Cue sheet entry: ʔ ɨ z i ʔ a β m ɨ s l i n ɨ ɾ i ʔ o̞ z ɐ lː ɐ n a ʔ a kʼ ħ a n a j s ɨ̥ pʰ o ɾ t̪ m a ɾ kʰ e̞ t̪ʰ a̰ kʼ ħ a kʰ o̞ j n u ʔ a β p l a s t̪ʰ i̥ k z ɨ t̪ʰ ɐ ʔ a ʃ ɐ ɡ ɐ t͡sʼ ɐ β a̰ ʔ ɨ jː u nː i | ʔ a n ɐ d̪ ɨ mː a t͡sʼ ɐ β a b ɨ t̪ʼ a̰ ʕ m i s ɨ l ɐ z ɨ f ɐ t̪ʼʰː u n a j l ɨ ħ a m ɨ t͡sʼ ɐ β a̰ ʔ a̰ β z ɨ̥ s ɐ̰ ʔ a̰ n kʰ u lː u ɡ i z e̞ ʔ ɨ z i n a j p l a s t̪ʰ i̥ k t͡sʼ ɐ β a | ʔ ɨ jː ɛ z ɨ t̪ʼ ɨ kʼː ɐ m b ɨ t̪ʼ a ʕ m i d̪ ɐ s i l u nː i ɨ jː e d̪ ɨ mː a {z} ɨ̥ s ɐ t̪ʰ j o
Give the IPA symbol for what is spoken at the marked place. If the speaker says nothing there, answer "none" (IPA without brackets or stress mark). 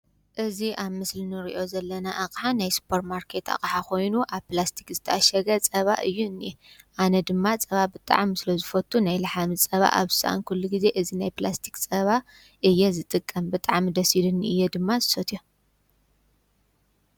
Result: z